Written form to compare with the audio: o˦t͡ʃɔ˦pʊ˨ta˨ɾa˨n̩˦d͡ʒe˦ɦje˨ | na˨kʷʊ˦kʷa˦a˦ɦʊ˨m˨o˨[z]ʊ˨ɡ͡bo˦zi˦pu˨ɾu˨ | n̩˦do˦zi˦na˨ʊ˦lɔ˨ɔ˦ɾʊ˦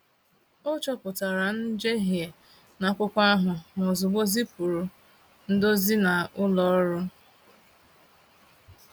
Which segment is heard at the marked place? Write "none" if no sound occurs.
z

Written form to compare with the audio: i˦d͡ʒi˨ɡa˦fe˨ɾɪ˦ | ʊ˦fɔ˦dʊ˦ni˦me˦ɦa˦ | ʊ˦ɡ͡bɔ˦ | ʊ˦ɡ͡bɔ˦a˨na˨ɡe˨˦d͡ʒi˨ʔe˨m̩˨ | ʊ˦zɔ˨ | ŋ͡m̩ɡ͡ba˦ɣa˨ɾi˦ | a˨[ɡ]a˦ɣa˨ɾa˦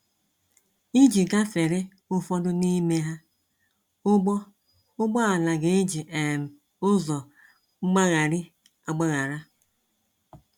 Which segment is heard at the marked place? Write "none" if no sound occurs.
ɡ͡b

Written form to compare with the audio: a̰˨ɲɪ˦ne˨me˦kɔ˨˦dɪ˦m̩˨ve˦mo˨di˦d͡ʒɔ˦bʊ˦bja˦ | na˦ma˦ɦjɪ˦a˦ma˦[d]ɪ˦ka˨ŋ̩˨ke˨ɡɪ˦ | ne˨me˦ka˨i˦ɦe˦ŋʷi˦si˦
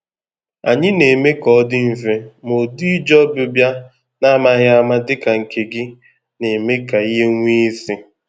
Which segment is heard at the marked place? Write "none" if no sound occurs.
d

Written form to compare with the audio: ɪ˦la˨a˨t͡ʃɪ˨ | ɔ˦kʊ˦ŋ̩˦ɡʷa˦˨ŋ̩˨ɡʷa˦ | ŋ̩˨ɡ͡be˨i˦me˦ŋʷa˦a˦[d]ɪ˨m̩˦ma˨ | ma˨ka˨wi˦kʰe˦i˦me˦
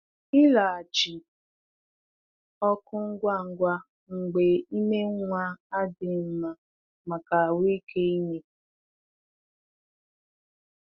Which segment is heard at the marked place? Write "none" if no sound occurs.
d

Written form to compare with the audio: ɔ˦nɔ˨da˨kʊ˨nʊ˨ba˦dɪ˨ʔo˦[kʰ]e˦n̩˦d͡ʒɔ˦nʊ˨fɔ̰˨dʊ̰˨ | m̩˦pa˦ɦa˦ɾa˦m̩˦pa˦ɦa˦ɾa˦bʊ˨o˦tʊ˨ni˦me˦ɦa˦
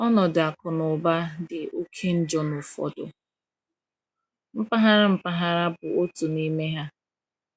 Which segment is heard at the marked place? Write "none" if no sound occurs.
kʰ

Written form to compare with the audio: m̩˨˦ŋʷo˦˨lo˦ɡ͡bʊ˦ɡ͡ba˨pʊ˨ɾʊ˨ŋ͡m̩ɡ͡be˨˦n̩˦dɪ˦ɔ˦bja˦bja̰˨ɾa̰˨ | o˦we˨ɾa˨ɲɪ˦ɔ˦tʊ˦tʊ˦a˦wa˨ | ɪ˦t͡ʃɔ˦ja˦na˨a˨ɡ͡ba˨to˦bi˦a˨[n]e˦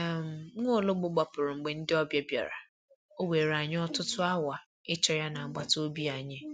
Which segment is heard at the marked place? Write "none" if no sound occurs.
ɲ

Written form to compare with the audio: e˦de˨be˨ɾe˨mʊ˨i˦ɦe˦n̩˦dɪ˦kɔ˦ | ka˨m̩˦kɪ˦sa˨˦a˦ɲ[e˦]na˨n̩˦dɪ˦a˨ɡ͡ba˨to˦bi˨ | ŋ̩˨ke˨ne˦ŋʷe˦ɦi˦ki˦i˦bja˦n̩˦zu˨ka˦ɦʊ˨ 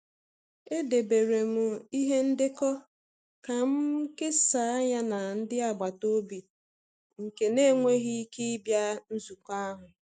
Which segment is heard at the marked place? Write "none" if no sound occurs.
a˦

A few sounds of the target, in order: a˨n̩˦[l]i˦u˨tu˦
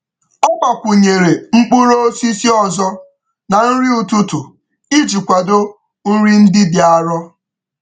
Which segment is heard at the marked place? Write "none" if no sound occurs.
ɾ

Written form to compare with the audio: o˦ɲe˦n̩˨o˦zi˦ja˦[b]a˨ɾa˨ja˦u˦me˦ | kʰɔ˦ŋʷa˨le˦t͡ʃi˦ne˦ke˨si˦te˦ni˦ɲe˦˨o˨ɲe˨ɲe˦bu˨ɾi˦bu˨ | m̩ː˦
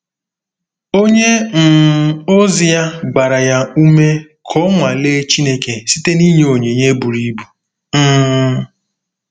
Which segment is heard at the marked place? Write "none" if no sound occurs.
ɡ͡b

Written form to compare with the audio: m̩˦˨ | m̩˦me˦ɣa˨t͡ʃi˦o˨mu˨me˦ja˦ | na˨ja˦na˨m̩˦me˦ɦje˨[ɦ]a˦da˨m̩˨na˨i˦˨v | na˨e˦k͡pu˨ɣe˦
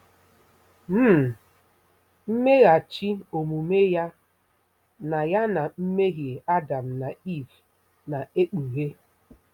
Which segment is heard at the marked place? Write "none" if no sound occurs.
none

